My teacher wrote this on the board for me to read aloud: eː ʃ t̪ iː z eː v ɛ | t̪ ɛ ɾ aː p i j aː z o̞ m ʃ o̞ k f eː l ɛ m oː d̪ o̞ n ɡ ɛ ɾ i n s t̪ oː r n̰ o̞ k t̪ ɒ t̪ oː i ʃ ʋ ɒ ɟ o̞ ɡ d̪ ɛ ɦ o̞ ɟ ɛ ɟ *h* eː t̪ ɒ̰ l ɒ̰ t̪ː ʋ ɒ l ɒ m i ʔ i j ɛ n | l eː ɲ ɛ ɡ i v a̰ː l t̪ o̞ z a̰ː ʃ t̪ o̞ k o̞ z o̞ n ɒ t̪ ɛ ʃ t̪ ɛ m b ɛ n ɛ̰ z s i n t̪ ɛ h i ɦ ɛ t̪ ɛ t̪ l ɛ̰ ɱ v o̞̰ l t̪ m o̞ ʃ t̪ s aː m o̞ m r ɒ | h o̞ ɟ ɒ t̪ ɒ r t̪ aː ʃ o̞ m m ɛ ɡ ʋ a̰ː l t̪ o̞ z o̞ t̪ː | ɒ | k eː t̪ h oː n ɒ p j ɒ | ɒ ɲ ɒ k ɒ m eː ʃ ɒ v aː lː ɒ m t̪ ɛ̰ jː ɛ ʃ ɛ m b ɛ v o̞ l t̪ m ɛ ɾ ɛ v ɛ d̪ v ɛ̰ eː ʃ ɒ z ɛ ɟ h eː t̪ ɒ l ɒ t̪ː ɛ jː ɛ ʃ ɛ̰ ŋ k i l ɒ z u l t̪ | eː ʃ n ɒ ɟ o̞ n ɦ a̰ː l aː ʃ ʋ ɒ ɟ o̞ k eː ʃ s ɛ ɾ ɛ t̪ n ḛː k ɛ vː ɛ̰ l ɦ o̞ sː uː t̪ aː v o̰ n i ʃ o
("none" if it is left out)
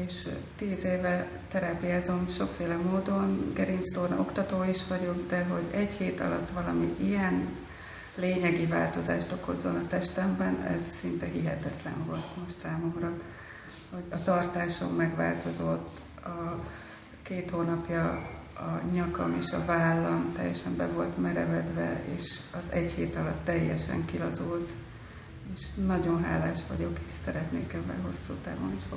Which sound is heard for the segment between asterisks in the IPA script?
h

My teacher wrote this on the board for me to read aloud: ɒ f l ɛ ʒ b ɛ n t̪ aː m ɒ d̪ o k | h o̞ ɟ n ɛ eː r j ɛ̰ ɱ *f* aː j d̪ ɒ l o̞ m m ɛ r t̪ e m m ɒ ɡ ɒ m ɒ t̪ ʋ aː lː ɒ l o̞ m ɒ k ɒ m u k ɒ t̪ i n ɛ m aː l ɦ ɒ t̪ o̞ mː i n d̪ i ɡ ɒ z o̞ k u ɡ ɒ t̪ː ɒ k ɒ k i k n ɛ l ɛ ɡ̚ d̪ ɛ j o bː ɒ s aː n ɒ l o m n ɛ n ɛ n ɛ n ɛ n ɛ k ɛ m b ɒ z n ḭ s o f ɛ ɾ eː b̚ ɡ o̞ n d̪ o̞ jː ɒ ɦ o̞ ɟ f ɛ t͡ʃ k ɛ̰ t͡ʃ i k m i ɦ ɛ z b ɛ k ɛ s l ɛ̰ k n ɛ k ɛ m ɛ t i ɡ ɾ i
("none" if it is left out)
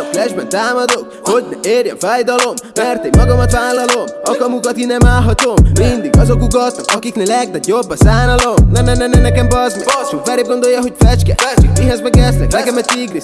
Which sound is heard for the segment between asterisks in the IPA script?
f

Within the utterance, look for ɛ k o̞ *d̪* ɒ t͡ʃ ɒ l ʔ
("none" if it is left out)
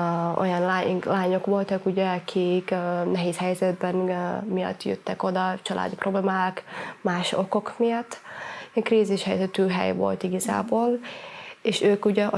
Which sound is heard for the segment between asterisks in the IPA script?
d̪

